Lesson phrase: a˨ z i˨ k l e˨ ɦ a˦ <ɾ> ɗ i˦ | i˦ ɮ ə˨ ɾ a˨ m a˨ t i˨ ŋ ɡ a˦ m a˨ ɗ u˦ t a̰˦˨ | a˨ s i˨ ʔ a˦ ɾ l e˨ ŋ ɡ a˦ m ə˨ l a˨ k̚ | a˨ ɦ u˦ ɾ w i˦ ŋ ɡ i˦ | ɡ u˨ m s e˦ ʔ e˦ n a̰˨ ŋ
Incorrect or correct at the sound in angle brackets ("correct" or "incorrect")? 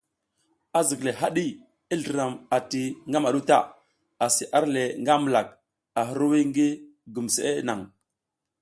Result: incorrect